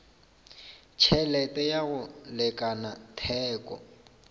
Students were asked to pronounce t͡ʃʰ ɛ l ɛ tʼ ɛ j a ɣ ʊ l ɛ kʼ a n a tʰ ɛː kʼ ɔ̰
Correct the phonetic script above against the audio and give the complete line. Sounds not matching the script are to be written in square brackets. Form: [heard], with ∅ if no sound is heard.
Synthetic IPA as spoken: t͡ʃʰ ɛ l ɛ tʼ ɛ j a ɣ ʊ l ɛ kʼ a n a tʰ ɛː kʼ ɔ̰